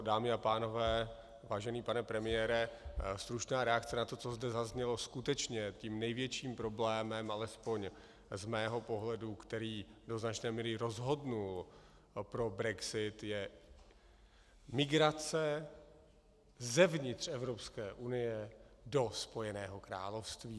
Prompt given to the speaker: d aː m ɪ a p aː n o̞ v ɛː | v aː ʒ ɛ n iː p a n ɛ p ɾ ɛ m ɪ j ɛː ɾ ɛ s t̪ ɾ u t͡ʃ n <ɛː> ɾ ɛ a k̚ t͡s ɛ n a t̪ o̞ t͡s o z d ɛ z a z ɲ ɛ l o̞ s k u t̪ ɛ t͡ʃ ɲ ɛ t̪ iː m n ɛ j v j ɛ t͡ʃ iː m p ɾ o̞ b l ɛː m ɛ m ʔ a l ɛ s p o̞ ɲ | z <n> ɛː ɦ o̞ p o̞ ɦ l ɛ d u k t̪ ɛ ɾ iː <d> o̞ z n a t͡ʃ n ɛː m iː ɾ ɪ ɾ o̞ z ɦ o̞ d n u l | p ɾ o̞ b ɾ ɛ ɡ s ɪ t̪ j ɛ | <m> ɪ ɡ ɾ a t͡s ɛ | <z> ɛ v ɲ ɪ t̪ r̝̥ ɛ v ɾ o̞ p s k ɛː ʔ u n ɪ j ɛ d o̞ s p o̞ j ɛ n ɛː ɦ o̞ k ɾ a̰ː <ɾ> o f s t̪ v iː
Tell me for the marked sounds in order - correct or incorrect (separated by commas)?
incorrect, incorrect, correct, correct, correct, incorrect